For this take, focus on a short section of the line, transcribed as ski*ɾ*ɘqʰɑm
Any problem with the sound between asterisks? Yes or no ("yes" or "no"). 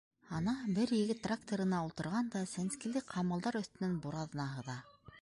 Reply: yes